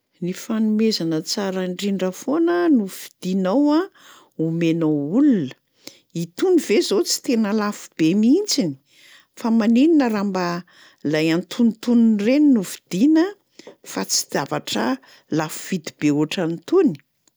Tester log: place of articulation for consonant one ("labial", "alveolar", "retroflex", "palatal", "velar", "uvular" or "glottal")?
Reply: alveolar